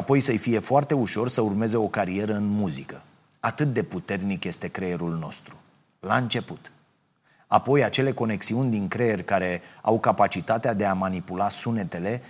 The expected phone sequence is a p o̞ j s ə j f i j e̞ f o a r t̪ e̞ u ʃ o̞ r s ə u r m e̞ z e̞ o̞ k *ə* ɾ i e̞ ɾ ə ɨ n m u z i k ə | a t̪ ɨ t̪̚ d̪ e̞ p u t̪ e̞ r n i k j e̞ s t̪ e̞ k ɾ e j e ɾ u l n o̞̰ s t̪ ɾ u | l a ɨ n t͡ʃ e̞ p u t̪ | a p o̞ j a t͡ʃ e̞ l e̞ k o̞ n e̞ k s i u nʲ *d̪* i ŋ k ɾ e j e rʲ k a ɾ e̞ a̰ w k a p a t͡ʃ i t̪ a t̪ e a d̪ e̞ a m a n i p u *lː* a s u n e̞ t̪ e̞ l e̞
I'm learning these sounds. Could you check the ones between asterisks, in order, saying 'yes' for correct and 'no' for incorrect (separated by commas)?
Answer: no, yes, no